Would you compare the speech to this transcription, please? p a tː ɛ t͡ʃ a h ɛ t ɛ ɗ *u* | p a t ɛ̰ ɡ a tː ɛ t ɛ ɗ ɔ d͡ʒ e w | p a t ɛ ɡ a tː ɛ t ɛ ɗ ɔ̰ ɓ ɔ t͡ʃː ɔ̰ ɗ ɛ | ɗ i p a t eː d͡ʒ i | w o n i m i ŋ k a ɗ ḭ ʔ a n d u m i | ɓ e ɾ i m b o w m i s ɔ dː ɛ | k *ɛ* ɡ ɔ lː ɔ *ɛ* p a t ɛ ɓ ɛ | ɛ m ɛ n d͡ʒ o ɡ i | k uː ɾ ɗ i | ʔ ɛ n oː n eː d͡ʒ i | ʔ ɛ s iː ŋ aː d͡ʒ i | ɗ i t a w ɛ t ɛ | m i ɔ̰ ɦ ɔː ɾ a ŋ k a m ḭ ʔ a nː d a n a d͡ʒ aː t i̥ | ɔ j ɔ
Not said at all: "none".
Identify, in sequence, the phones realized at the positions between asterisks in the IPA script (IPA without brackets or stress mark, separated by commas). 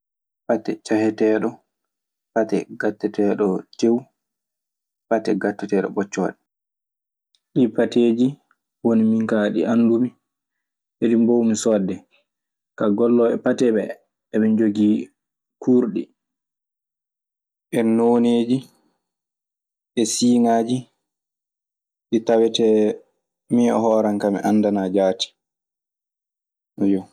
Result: ɔ, a, ɛ